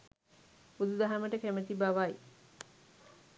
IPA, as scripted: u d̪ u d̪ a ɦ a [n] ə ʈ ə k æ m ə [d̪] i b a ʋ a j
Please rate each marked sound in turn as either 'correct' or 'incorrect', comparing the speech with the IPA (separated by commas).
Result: incorrect, incorrect